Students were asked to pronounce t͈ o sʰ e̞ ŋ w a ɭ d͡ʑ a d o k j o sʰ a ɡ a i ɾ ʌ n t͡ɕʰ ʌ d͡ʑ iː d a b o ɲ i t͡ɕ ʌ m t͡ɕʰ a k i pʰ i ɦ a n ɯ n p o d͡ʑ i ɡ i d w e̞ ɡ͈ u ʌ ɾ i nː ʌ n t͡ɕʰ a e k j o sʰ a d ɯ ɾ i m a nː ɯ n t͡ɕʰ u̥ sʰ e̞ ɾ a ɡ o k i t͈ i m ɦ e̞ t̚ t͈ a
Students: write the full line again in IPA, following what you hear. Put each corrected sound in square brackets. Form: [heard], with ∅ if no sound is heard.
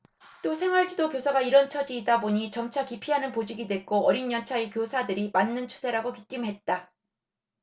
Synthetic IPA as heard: t͈ o sʰ e̞ ŋ w a ɭ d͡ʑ [i] d o k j o sʰ a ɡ a i ɾ ʌ n t͡ɕʰ ʌ d͡ʑ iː d a b o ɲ i t͡ɕ ʌ m t͡ɕʰ a k i pʰ i ɦ a n ɯ n p o d͡ʑ i ɡ i d w e̞ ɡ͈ [o] ʌ ɾ i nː ʌ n t͡ɕʰ a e k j o sʰ a d ɯ ɾ i m a nː ɯ n t͡ɕʰ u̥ sʰ e̞ ɾ a ɡ o k i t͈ i m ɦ e̞ t̚ t͈ a